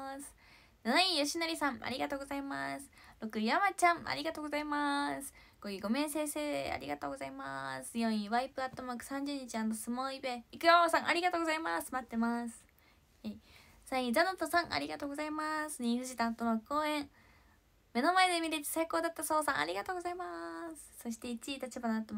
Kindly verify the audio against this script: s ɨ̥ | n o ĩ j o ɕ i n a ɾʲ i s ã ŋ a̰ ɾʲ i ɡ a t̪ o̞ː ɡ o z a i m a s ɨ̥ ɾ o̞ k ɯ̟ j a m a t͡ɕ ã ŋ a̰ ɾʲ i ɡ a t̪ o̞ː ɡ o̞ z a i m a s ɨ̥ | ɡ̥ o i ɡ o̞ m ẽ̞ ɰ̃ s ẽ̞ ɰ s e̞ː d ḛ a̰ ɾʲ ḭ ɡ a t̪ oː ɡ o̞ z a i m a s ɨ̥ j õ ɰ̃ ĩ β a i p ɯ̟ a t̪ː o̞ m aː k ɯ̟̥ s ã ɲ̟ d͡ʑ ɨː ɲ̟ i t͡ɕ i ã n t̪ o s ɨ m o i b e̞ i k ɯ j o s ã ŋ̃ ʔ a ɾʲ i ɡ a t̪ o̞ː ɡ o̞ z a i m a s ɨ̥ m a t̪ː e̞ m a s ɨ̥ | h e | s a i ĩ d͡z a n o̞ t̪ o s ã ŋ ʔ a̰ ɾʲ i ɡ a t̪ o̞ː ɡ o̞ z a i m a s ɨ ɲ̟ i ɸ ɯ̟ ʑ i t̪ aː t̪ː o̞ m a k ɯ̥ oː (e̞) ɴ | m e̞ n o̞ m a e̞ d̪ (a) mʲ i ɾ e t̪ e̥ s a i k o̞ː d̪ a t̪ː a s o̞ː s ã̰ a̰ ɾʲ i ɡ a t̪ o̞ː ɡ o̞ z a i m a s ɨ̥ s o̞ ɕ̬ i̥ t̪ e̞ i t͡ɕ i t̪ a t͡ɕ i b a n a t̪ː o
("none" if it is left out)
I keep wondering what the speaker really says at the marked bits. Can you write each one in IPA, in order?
ẽ̞, e

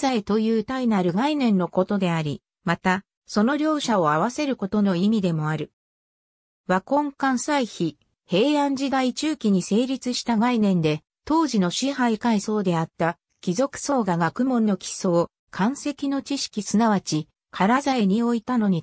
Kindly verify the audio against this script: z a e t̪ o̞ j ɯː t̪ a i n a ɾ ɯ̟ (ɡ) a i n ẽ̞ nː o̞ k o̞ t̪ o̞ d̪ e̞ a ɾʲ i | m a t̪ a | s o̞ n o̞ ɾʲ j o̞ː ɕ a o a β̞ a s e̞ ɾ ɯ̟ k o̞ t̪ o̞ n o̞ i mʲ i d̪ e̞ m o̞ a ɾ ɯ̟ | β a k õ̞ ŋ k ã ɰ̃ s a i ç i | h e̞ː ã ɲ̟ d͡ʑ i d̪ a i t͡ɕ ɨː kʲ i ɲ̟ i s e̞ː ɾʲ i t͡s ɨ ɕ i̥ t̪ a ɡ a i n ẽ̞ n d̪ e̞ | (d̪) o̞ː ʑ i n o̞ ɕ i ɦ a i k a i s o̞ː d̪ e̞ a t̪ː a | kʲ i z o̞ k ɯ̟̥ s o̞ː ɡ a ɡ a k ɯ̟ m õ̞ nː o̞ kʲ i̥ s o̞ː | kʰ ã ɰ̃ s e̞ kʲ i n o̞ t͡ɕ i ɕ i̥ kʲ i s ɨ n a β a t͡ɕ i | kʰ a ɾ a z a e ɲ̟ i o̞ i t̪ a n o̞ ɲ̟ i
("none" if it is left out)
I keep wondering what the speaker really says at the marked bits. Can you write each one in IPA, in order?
ɡ, t̪

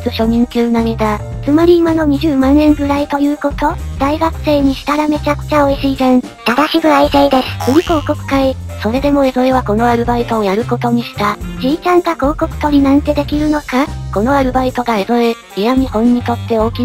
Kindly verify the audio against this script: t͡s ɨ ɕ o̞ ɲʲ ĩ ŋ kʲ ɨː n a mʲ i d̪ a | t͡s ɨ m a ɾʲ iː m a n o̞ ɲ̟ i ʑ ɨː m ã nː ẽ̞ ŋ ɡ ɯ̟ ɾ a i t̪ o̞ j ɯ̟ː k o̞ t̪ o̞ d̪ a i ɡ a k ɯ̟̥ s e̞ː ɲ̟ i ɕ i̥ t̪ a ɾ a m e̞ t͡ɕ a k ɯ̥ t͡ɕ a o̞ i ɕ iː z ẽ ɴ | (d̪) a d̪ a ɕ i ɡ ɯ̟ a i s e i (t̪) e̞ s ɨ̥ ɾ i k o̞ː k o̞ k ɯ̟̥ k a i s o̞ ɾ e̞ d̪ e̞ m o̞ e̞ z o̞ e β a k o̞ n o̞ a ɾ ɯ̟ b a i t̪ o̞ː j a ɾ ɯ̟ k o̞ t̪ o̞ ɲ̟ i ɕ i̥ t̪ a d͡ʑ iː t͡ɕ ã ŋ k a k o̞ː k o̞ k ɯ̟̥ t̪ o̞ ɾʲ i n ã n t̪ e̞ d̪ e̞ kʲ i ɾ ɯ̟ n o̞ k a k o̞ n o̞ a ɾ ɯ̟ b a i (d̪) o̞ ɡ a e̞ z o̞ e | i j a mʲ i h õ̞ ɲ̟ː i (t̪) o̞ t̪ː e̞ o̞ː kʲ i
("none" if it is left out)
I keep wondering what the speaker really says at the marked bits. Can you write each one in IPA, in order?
t̪, d̪, t̪, t̪

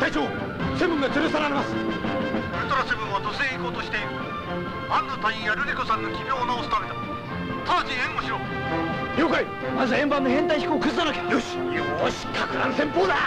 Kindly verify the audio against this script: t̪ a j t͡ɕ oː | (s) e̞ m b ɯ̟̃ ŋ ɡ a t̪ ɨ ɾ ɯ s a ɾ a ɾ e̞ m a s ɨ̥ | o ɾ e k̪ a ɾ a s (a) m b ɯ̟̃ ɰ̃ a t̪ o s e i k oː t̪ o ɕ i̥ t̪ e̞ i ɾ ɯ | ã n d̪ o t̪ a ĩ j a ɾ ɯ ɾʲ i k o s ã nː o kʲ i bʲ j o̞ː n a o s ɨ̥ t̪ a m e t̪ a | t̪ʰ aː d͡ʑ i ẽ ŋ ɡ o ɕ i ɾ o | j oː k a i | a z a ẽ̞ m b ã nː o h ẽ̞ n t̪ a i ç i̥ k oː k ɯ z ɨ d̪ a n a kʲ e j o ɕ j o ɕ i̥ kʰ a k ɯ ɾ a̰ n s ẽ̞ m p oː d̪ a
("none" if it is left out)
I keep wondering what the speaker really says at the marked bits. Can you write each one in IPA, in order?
s, e

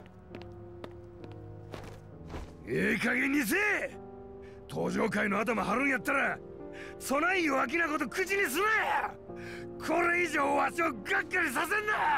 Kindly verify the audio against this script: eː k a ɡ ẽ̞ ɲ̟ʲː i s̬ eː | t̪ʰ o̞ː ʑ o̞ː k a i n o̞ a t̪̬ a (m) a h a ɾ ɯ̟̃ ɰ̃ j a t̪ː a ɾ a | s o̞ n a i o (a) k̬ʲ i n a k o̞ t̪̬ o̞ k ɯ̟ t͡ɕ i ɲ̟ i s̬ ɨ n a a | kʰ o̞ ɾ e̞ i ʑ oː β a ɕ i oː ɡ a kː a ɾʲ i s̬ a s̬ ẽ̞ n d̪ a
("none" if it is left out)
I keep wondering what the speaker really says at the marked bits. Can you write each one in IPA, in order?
m, a

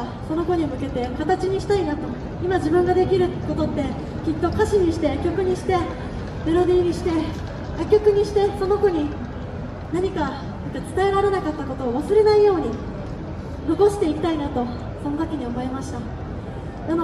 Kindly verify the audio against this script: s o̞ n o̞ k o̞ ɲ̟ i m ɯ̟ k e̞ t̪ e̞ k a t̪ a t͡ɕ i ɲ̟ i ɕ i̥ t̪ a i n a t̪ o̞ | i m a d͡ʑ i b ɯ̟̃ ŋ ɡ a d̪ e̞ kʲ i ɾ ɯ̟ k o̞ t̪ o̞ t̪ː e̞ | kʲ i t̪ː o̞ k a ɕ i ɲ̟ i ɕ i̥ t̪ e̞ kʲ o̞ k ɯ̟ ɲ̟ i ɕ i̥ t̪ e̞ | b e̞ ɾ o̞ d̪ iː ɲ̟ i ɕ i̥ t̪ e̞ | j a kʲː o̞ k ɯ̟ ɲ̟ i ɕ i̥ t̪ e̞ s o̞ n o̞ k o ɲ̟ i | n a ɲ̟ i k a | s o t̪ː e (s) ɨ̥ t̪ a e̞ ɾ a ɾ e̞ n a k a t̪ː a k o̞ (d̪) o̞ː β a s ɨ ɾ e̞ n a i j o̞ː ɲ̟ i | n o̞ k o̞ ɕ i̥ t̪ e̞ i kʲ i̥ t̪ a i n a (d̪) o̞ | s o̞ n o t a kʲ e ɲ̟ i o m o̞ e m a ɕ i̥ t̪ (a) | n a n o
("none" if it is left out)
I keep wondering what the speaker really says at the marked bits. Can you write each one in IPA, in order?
t͡s, t̪, t̪, a

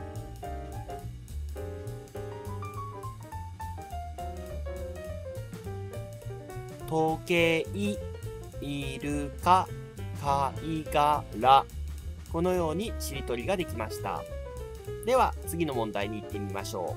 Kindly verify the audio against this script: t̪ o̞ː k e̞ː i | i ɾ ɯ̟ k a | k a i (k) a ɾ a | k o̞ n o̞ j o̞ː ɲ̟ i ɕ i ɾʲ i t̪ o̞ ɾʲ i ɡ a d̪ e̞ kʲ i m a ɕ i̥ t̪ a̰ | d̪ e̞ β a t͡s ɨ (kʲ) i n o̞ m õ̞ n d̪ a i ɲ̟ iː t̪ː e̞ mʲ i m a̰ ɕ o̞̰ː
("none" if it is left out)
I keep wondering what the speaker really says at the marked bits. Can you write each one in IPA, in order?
ɡ, ɡʲ

